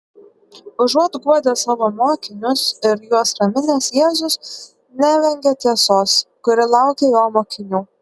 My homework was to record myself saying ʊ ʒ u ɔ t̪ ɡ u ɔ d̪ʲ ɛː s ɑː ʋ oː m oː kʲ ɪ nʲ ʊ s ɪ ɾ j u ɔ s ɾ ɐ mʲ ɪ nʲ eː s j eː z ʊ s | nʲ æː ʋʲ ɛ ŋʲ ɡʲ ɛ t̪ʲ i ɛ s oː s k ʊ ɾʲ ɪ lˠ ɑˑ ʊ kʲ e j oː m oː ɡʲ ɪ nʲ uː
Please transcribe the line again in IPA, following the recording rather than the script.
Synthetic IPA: ʊ ʒ u ɔ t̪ ɡ u ɔ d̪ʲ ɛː s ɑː ʋ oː m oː kʲ ɪ nʲ ʊ s ɪ ɾ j u ɔ s ɾ ɐ mʲ ɪ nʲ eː s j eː z ʊ s | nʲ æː ʋʲ ɛ ŋʲ ɡʲ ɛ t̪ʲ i ɛ s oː s k ʊ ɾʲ ɪ lˠ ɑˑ ʊ kʲ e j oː m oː kʲ ɪ nʲ uː